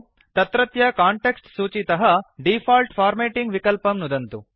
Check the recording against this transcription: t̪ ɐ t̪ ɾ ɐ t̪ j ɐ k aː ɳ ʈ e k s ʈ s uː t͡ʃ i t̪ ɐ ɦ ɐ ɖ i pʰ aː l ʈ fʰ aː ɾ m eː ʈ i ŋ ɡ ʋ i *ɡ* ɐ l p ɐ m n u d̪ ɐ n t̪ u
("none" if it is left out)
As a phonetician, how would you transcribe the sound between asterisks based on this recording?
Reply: k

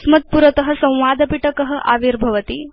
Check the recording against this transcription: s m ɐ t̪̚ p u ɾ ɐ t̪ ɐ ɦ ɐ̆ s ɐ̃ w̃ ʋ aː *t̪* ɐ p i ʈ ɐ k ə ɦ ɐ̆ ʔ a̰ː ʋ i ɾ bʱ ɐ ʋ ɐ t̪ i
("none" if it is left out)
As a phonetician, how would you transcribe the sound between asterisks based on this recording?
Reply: d̪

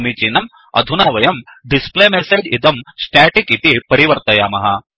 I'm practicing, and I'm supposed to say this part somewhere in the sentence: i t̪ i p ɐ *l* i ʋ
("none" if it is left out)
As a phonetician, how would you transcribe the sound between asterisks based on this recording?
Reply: ɾ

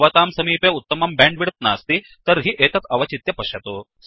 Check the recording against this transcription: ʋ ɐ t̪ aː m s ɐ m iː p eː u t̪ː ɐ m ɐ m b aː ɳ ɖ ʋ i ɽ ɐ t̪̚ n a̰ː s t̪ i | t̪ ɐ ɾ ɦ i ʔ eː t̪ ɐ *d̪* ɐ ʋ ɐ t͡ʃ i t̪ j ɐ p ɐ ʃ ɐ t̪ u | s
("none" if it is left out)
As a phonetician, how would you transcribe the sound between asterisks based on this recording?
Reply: t̪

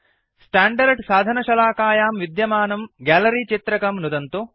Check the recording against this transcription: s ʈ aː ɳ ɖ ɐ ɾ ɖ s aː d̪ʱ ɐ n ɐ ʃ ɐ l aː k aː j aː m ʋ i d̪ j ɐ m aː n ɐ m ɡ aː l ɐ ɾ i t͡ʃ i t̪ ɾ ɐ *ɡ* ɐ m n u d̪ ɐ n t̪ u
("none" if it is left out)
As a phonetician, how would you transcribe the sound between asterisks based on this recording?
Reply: k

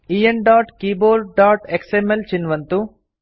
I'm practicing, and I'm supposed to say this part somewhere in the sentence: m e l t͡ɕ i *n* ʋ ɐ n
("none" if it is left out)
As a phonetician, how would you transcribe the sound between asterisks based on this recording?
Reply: n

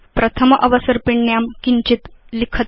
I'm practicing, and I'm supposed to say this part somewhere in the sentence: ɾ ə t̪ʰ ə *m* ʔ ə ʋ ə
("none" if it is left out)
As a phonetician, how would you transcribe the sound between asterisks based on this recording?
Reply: m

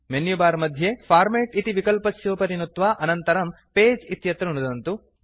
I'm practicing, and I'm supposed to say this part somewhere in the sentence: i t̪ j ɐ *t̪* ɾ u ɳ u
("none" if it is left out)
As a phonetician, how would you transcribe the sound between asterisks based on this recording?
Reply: t̪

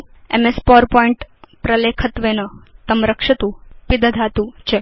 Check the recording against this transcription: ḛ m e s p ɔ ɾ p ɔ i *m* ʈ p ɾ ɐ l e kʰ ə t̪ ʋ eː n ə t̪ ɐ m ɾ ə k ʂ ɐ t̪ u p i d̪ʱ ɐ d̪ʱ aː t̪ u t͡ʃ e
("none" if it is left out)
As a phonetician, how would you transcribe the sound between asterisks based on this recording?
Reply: ɳ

